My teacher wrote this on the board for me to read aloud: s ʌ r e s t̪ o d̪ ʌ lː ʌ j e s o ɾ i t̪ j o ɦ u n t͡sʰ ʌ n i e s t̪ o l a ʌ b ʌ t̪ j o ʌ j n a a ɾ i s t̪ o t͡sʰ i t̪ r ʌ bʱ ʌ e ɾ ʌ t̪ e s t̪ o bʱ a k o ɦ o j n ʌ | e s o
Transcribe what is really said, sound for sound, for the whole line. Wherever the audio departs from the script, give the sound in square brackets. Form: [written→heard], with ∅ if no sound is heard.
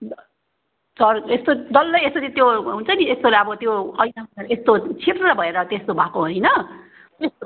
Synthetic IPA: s ʌ r e s t̪ o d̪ ʌ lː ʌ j e s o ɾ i t̪ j o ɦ u n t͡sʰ ʌ n i e s t̪ o l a ʌ b ʌ t̪ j o ʌ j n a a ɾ [i→e] s t̪ o t͡sʰ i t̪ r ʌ bʱ ʌ e ɾ ʌ t̪ e s t̪ o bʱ a k o ɦ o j n ʌ | e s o